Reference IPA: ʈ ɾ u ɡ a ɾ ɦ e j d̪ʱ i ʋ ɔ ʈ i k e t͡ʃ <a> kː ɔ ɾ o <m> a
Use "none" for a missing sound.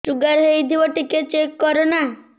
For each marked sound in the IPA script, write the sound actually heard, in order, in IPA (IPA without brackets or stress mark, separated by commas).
e, n